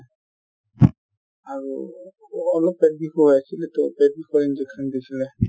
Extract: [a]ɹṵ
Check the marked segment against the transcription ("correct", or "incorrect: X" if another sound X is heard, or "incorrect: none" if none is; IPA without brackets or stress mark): correct